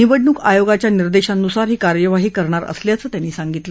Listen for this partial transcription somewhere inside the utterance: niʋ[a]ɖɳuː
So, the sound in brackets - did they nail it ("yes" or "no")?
no